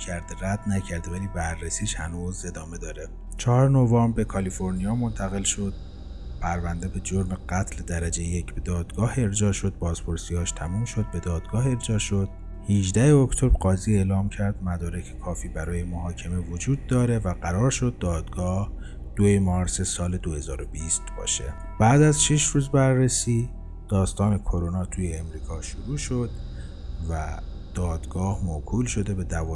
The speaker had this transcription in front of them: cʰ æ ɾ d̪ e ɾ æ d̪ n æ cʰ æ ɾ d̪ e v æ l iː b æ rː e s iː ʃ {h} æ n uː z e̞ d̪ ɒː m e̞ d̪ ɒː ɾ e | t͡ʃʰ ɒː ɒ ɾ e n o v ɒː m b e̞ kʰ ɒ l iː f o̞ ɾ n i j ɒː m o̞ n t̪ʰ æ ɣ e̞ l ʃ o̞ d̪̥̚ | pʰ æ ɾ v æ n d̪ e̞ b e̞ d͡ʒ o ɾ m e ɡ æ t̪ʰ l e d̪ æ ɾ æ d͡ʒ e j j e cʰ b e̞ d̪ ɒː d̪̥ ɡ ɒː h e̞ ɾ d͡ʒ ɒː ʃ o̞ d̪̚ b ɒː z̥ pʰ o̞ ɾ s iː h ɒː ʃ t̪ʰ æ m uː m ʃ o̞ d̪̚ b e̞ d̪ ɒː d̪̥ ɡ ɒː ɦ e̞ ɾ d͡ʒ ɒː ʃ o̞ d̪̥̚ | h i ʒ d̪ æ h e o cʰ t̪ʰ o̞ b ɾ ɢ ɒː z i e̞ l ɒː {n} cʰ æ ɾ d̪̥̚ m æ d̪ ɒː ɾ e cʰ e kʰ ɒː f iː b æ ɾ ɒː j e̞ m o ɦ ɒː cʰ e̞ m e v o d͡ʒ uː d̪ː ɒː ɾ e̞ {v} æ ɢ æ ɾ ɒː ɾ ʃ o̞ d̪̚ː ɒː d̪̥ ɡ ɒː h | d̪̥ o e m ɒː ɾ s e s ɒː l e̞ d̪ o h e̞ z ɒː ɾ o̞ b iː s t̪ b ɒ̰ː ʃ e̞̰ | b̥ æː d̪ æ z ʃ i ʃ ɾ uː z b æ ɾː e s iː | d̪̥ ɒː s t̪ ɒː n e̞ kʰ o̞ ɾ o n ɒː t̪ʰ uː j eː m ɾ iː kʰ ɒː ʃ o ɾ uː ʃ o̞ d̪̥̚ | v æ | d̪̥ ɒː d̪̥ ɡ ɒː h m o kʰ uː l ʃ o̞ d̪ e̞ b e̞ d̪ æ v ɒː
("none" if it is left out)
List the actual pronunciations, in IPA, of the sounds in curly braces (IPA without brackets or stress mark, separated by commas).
h, m, v